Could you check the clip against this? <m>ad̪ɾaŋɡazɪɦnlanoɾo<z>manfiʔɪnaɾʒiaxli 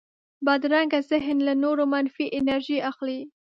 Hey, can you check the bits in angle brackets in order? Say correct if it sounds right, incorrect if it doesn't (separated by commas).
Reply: incorrect, incorrect